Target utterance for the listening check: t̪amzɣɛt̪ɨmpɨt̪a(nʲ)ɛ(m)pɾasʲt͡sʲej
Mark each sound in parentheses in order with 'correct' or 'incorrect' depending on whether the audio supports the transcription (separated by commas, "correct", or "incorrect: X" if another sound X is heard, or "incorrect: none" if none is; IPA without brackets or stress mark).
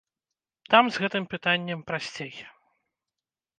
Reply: incorrect: nʲː, correct